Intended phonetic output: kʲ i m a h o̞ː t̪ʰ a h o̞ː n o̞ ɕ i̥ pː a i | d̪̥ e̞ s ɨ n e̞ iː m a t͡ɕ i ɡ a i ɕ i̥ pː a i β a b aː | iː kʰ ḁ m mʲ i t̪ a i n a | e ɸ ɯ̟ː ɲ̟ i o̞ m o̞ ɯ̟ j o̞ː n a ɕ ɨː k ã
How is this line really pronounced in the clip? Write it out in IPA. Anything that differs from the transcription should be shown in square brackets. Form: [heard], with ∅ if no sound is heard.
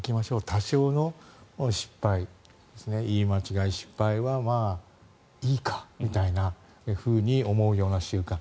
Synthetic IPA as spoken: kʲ i m a [ɕ] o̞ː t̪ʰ a [ɕ] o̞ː n o̞ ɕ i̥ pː a i | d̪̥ e̞ s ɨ n e̞ iː m a t͡ɕ i ɡ a i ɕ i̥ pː a i β a [m] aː | iː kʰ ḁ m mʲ i t̪ a i n a | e ɸ ɯ̟ː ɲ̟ i o̞ m o̞ ɯ̟ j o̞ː n a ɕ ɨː k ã